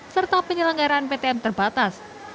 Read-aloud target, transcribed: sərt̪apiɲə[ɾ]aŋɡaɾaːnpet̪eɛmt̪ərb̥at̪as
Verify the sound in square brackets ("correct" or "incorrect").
incorrect